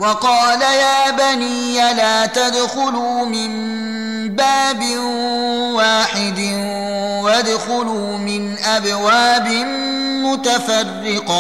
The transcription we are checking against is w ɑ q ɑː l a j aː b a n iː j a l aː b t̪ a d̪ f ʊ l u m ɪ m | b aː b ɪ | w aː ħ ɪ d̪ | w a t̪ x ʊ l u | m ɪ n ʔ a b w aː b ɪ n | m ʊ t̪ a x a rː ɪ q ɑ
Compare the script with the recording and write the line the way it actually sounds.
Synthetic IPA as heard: w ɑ q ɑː l a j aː b a n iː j a l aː t̪ a d̪ x ʊ l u m ɪ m | b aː b ɪ | w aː ħ ɪ d̪ | w a d̪ x ʊ l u | m ɪ n ʔ a b w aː b ɪ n | m ʊ t̪ a f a rː ɪ q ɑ